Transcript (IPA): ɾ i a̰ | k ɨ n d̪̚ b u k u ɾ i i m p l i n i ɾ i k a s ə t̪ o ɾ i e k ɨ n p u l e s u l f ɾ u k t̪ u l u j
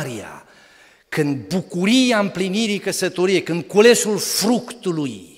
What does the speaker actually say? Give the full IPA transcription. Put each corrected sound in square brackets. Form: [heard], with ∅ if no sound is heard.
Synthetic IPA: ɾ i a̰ | k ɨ n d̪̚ b u k u ɾ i [a] m p l i n i ɾ i k [ə] s ə t̪ o ɾ i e k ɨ n [k] u l e s u l f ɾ u k t̪ u l u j